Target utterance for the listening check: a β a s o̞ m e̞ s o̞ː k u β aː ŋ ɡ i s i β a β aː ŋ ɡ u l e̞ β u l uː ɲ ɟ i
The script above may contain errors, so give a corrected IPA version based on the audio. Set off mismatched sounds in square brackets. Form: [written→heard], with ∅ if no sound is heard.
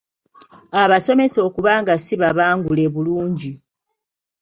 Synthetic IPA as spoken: a β a s o̞ m e̞ s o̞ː k u β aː ŋ ɡ [i→a] s i β a β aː ŋ ɡ u l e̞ β u l uː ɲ ɟ i